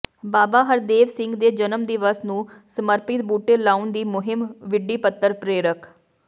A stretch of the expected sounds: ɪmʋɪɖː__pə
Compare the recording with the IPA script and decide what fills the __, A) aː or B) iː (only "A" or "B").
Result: B